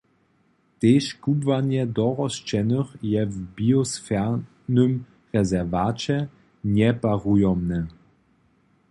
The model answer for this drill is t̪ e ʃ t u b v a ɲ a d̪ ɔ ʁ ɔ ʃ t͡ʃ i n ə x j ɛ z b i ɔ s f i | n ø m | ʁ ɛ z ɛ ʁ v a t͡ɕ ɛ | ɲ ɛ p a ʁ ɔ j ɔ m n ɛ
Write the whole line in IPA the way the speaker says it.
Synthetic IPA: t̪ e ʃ k u b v a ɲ ɛ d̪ ɔ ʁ ɔ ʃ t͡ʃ ɛ n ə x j ɛ v b i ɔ s f ɛ | n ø m | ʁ ɛ z ɛ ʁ v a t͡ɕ ɛ | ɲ ɛ p a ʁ u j ɔ m n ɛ